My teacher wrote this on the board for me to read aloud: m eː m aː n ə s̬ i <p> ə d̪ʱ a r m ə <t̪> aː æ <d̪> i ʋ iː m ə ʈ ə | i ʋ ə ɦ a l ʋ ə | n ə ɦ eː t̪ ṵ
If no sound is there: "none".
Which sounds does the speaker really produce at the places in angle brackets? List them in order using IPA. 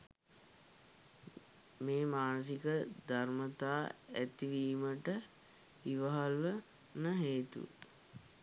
k, t̪, t̪

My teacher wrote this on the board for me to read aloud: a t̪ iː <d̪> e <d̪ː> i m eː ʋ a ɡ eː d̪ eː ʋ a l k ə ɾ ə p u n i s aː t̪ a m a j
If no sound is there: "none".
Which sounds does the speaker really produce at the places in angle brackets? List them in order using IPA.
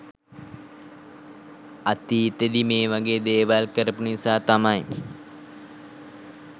t̪, d̪

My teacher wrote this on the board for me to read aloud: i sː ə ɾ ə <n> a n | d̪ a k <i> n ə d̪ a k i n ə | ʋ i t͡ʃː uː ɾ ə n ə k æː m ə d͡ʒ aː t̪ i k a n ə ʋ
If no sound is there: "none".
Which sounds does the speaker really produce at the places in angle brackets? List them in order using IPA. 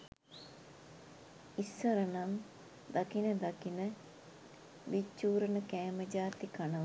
n, i

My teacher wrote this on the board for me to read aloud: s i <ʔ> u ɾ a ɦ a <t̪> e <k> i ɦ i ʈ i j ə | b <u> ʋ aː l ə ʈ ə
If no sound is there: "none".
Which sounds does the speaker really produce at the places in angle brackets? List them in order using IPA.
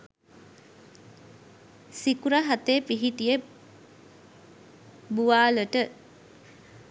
k, t̪, p, u

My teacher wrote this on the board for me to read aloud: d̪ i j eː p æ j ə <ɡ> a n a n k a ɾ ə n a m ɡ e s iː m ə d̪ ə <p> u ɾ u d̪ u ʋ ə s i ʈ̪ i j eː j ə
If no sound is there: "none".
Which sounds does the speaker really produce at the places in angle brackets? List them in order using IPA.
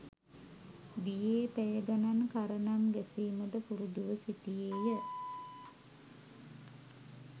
ɡ, p

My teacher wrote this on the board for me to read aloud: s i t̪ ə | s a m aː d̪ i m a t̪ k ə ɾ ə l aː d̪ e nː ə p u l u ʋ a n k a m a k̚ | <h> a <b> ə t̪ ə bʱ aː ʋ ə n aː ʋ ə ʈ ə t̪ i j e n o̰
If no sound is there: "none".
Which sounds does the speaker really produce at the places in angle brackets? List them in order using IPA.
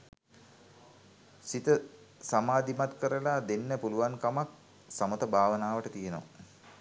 s, m

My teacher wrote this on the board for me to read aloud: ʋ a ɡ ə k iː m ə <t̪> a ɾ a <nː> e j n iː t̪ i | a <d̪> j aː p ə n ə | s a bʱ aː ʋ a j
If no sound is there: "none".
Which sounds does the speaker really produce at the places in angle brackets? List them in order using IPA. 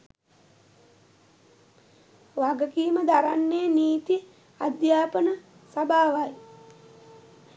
d̪, nː, d̪

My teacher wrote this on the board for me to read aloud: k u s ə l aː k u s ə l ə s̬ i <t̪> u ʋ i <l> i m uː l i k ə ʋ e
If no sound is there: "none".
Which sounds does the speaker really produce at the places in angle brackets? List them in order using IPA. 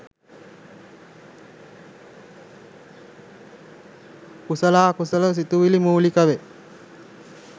t̪, l

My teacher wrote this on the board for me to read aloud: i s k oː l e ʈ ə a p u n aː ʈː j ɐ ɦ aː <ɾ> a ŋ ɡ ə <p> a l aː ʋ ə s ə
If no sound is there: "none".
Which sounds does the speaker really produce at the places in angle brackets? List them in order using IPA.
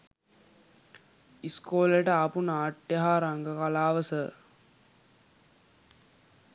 ɾ, k

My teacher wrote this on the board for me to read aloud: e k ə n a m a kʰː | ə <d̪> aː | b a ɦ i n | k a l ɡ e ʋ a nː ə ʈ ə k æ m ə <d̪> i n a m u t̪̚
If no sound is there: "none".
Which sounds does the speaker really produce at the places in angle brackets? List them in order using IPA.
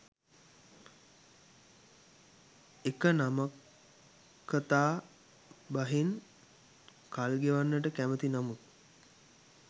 t̪, t̪

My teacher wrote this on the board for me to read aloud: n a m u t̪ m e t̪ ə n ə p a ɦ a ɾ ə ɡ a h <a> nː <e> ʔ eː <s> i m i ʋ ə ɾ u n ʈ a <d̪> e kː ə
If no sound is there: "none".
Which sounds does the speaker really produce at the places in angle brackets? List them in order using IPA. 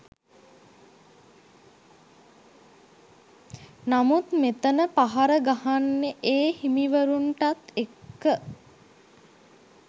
a, e, h, t̪

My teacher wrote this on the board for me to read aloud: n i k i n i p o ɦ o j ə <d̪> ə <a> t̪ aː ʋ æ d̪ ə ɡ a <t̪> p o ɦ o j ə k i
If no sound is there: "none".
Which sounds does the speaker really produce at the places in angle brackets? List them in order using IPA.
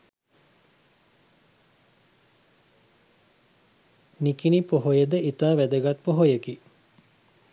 d̪, i, t̪

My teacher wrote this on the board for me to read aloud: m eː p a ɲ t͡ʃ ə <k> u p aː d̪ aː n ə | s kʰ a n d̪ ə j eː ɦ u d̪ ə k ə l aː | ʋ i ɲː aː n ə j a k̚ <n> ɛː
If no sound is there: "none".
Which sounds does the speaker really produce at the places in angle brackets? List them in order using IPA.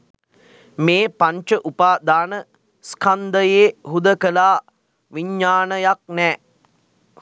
ʔ, n

